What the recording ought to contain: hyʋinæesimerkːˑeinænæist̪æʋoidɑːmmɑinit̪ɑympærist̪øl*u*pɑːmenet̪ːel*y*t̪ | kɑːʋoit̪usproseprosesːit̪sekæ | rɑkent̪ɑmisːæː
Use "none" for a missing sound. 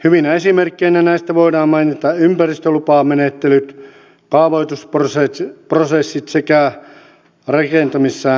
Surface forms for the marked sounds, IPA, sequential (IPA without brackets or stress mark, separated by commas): u, y